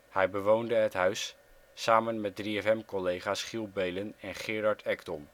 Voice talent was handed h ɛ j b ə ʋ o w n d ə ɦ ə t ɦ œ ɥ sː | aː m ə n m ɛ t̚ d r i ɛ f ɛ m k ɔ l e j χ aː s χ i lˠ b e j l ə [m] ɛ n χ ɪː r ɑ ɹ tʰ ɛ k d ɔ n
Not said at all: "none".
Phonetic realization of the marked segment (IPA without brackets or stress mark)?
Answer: n